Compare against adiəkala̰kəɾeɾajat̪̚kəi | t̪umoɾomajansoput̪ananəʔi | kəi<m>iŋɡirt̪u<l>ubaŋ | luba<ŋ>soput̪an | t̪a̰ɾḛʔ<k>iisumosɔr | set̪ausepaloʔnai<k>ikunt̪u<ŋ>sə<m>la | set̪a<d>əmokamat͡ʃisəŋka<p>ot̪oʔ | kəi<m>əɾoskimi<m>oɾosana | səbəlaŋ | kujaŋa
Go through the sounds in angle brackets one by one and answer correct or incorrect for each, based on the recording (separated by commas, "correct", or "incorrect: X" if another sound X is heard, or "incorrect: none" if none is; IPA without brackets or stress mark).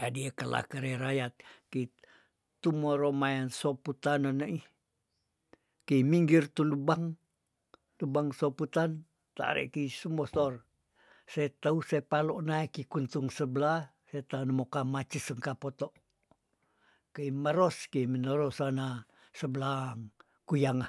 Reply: correct, correct, correct, correct, correct, correct, incorrect: b, incorrect: n, correct, correct, incorrect: n